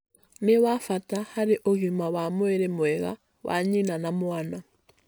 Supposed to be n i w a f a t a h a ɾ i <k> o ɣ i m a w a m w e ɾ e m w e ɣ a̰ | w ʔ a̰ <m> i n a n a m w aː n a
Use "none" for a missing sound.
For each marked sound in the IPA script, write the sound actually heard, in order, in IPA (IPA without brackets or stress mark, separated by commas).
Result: ʔ, ɲ